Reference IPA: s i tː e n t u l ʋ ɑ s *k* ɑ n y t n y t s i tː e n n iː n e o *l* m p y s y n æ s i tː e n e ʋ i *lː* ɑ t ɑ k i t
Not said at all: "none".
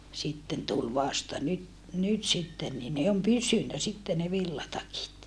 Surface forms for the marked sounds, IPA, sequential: t, none, lː

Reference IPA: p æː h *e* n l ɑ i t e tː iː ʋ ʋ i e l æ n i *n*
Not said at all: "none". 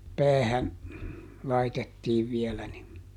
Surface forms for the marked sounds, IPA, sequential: æ, n

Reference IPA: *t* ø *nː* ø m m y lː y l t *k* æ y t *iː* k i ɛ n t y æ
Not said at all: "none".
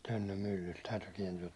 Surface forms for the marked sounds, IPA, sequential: t, nː, t, yː

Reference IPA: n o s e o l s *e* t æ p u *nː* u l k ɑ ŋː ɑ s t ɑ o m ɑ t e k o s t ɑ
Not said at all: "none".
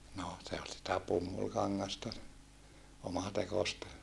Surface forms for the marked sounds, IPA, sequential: i, mː

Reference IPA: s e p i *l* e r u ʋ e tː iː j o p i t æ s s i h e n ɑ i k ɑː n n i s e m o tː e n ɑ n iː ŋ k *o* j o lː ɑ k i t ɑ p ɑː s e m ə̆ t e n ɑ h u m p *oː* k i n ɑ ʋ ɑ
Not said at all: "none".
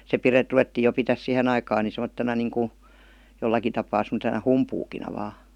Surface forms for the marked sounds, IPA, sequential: r, u, uː

